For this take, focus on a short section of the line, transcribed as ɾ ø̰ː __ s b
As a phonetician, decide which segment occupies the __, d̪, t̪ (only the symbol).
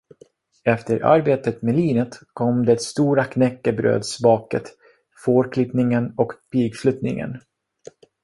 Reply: d̪